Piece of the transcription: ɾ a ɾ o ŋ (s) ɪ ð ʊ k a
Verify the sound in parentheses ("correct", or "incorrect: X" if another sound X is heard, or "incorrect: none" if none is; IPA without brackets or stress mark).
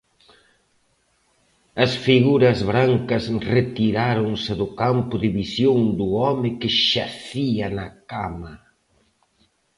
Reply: correct